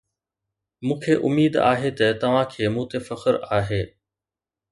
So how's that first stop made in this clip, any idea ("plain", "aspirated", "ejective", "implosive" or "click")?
aspirated